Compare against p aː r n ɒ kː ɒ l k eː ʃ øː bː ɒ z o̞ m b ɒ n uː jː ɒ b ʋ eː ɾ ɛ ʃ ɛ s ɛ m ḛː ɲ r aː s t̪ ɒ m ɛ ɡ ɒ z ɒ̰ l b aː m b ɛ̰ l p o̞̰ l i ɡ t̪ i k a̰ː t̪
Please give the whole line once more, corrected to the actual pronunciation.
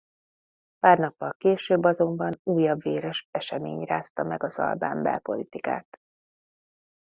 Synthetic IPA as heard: p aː r n ɒ pː ɒ l k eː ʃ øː bː ɒ z o̞ m b ɒ n uː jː ɒ b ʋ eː ɾ ɛ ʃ ɛ ʃ ɛ m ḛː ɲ r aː s t̪ ɒ m ɛ ɡ ɒ z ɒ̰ l b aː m b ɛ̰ l p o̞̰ l i t̪ i k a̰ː t̪